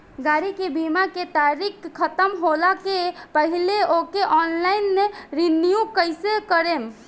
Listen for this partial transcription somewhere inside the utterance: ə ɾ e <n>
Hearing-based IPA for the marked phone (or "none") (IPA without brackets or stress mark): m